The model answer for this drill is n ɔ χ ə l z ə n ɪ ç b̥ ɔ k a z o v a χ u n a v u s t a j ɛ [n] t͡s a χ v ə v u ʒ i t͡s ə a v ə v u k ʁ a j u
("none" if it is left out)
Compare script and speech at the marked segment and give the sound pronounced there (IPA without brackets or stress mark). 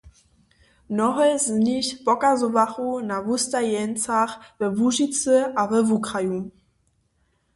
n